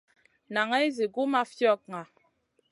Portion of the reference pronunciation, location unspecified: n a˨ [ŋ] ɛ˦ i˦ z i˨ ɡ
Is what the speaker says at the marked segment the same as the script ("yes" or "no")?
yes